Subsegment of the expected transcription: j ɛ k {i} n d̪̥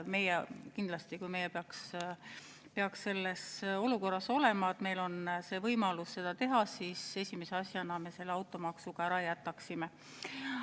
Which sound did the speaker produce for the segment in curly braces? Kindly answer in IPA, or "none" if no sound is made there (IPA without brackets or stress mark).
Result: i